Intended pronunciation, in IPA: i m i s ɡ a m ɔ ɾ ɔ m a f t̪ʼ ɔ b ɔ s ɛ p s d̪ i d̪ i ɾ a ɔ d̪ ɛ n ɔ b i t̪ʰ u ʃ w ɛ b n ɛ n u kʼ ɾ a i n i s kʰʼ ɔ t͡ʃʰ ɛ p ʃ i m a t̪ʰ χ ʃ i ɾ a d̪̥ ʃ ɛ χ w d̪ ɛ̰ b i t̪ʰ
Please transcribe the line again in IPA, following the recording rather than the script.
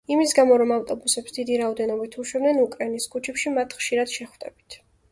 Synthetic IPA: i m i s ɡ a m ɔ ɾ ɔ m a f t̪ʼ ɔ b u s ɛ p s d̪ i d̪ i ɾ a ɔ d̪ ɛ n ɔ b i t̪ʰ u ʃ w ɛ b n ɛ n u kʼ ɾ a i n i s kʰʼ u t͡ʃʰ ɛ p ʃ i m a t̪ʰ χ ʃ i ɾ a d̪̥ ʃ ɛ χ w d̪ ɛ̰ b i t̪ʰ